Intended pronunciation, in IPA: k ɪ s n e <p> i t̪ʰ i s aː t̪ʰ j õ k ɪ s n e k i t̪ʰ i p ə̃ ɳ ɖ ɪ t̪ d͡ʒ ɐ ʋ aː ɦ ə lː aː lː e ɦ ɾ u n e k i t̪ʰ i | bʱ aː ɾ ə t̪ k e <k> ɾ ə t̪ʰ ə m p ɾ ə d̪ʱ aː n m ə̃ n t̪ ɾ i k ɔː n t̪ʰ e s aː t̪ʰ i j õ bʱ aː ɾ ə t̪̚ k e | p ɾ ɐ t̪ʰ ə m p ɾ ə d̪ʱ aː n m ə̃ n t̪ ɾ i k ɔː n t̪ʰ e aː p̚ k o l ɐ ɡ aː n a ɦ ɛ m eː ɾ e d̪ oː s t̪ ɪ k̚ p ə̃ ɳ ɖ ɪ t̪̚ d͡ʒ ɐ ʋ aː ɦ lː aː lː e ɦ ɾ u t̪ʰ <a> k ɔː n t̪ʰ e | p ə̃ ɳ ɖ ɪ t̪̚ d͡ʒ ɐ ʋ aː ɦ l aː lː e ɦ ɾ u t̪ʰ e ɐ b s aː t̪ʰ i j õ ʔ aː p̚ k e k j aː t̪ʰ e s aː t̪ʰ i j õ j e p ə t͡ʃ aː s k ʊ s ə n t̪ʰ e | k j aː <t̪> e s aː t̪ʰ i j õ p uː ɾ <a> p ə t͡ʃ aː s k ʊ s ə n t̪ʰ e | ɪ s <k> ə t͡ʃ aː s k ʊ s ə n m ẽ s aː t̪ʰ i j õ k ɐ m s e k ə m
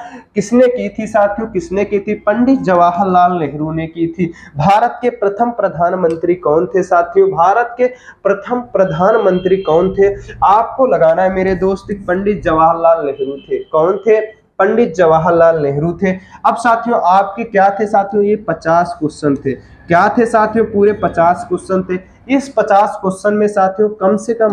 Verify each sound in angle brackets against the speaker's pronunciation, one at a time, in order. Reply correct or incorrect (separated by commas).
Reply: incorrect, incorrect, incorrect, incorrect, incorrect, incorrect